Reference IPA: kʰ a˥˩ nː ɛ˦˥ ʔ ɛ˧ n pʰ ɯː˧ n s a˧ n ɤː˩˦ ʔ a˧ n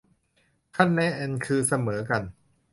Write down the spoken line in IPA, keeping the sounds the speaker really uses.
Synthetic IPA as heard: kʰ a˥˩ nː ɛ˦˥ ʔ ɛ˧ n kʰ ɯː˧ s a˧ m ɤː˩˦ k a˧ n